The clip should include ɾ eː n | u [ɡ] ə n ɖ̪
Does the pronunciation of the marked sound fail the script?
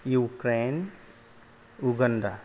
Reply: no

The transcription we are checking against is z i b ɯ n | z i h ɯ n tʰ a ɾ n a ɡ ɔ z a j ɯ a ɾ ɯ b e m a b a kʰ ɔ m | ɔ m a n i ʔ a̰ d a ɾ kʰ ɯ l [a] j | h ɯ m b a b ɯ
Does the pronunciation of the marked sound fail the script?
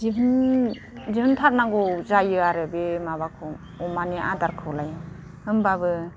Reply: no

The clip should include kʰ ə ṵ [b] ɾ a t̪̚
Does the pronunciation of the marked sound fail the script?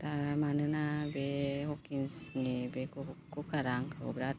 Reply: no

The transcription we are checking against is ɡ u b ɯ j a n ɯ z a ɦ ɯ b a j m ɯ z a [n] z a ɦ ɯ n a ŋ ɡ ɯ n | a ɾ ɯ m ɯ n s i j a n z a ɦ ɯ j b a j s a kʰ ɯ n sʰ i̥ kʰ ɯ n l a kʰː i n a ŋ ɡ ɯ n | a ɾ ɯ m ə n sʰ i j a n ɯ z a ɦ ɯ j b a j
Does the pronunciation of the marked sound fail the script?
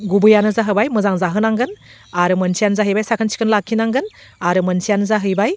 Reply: yes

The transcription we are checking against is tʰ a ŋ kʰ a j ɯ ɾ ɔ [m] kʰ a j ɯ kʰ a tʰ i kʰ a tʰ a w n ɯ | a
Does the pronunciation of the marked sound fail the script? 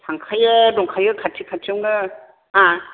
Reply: yes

